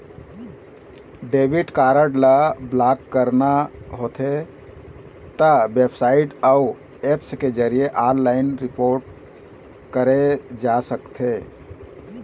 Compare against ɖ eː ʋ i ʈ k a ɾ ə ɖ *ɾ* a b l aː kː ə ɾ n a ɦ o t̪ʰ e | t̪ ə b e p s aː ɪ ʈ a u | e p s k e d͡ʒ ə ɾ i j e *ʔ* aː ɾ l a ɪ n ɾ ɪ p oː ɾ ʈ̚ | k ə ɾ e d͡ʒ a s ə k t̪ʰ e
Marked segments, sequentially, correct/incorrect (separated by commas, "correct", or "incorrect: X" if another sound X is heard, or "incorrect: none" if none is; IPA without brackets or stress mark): incorrect: l, correct